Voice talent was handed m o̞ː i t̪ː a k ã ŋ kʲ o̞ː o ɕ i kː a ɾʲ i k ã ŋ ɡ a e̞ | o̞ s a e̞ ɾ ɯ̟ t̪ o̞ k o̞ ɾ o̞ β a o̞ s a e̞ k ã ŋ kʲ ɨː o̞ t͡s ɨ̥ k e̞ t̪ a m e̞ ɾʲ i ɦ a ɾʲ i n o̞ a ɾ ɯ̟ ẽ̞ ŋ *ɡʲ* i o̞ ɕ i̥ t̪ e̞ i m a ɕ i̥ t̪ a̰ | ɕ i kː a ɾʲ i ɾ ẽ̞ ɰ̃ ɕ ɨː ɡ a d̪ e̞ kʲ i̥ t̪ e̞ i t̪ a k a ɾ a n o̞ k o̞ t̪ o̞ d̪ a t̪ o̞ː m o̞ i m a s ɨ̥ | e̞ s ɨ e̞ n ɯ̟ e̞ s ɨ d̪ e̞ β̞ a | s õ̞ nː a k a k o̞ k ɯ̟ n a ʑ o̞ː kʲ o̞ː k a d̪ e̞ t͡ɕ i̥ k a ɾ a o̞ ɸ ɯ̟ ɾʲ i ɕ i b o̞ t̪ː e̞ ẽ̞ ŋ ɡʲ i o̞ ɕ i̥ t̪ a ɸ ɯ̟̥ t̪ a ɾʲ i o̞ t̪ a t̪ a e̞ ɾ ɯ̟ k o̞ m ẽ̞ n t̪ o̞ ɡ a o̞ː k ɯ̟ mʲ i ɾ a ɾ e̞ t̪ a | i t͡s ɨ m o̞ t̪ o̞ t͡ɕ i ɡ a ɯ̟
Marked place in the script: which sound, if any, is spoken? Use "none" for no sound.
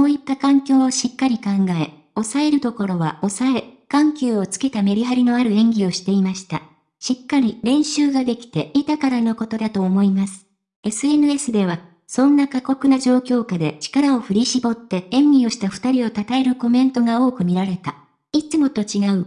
ɡʲ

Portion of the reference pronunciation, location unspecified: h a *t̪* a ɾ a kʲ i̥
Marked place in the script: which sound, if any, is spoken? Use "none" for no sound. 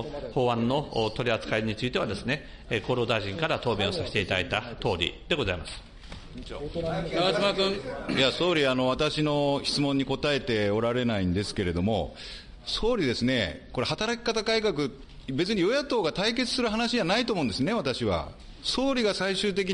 t̪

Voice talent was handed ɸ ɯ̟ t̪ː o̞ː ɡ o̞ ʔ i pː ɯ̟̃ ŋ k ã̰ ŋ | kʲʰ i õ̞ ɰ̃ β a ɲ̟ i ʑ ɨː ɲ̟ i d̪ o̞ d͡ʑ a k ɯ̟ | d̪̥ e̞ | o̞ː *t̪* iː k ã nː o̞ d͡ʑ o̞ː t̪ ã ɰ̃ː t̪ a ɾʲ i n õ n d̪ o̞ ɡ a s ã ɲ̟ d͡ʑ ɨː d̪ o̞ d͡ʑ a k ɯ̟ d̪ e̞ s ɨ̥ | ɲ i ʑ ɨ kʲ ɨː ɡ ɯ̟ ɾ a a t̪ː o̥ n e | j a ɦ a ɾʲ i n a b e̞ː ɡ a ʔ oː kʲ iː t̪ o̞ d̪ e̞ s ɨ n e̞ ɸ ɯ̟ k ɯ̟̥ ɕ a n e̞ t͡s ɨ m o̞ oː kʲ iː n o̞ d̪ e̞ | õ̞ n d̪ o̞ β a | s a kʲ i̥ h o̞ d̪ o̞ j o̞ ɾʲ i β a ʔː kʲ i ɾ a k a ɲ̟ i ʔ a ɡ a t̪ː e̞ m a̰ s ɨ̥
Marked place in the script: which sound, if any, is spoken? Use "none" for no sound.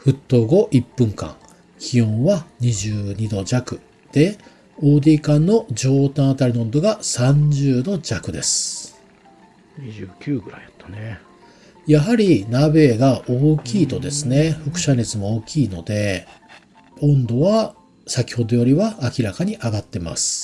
d̪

